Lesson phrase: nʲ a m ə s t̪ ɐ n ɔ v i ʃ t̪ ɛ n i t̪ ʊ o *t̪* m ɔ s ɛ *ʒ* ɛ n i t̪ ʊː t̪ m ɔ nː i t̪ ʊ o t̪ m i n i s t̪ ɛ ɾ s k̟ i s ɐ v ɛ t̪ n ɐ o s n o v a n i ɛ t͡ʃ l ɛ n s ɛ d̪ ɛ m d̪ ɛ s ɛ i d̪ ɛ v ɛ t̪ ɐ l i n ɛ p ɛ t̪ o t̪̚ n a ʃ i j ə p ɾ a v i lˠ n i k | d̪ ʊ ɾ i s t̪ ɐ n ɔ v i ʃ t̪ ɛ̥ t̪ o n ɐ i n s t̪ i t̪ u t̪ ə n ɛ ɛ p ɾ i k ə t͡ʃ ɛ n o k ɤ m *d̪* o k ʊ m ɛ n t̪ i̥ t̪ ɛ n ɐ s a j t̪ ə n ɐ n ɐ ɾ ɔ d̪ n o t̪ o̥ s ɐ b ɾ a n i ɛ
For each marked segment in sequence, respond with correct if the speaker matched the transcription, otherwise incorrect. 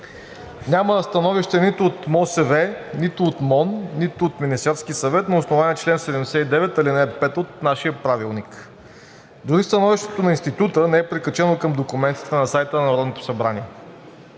correct, incorrect: v, correct

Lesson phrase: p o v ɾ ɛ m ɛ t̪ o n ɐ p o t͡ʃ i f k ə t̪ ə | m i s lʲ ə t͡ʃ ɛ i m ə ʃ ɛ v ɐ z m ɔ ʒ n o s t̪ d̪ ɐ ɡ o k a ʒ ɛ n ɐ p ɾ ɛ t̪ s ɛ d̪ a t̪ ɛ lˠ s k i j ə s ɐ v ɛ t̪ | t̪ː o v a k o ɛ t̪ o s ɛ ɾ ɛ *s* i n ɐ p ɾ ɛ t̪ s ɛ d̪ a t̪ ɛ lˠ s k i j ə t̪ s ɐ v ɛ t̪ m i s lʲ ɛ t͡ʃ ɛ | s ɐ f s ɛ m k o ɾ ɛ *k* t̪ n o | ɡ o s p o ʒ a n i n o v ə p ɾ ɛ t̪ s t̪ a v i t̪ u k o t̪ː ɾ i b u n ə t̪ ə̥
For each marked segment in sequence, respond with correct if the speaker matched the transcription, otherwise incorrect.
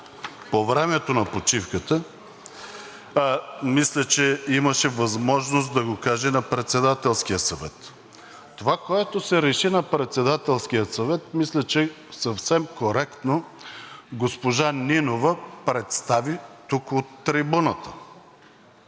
incorrect: ʃ, correct

